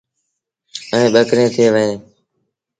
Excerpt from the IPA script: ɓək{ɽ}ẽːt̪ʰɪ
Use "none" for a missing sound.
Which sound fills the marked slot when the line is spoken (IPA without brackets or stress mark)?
ɾ